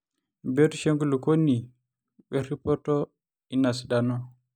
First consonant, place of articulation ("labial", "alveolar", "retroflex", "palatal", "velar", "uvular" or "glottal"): labial